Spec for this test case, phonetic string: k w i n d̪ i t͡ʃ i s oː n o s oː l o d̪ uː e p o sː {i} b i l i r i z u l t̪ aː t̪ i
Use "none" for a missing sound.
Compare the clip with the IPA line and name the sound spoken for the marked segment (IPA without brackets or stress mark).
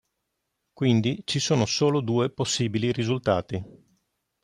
iː